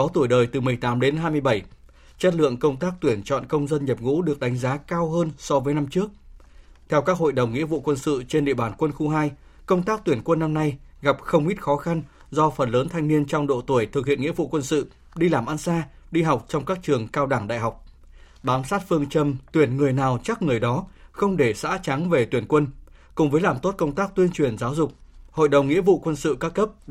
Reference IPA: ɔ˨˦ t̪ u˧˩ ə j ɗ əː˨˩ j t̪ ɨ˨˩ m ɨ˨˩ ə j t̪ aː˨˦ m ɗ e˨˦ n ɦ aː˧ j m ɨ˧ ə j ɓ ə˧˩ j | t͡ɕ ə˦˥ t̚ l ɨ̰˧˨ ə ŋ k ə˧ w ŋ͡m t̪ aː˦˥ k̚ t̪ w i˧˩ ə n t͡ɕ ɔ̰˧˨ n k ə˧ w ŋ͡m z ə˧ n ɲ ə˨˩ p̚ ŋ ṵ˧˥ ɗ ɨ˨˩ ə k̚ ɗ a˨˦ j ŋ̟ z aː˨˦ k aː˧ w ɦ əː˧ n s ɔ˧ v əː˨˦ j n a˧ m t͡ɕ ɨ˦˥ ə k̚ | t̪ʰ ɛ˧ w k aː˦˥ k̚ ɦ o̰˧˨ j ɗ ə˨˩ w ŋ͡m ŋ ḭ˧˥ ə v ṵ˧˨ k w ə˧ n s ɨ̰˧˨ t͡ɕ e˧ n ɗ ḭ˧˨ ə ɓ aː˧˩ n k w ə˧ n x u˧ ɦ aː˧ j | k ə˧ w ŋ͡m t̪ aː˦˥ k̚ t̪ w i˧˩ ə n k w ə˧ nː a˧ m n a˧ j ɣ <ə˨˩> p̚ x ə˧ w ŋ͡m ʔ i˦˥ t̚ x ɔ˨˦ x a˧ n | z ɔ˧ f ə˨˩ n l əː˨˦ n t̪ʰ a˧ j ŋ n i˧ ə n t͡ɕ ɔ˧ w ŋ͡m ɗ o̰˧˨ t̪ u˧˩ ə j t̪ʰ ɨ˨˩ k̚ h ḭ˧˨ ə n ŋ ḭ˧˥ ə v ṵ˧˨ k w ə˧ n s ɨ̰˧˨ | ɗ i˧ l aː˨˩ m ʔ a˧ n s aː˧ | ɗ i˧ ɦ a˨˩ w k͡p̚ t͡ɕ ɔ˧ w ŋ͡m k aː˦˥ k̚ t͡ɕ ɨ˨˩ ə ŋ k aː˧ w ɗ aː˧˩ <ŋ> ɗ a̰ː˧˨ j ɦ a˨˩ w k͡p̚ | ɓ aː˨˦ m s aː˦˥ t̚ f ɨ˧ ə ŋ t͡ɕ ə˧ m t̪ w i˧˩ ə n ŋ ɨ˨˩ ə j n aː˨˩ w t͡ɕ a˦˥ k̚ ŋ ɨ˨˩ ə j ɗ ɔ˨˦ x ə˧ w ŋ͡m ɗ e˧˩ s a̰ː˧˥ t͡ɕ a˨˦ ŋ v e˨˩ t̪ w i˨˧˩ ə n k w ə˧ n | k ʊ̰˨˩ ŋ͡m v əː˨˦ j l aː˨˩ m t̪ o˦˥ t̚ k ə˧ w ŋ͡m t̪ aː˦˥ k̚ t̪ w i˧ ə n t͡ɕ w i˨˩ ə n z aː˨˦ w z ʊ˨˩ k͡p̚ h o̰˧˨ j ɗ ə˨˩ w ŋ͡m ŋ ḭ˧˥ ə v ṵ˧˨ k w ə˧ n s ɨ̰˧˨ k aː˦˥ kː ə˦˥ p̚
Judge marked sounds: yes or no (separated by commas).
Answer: no, yes